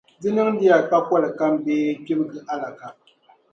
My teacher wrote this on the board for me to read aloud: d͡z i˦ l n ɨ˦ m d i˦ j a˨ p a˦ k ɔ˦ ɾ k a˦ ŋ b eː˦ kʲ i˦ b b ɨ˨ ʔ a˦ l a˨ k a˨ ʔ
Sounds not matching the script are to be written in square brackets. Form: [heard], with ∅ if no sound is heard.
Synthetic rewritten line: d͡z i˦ [∅] n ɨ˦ [ŋ] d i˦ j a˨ [k] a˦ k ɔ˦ [l] k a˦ [m] b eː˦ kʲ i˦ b [ɡ] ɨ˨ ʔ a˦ l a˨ k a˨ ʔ